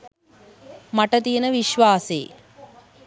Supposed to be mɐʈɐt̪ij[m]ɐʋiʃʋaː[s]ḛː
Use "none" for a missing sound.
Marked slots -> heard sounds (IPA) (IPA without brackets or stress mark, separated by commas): n, s